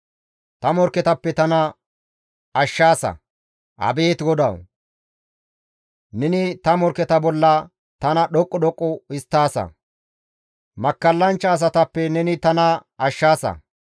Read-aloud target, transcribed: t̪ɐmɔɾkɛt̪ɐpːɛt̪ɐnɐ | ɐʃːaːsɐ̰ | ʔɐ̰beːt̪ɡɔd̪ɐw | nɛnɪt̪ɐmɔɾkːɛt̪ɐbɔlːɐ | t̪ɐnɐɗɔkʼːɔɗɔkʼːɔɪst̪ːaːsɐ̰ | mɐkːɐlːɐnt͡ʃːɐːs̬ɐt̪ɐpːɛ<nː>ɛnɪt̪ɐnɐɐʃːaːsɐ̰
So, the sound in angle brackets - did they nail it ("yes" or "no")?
no